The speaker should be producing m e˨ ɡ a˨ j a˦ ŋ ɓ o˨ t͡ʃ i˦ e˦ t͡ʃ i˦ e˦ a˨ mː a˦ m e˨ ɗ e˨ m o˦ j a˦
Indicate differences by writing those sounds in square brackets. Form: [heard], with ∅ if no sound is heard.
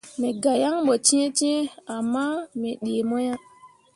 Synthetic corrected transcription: m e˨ ɡ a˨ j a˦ ŋ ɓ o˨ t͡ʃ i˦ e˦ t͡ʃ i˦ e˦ a˨ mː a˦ m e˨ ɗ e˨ m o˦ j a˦